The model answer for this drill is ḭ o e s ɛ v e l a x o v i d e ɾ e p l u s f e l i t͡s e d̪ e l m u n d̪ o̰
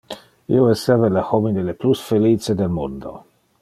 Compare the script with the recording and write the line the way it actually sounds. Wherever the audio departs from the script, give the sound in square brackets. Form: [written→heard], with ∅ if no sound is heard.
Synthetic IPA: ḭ o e s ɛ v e l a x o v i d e [ɾ→l] e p l u s f e l i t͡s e d̪ e l m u n d̪ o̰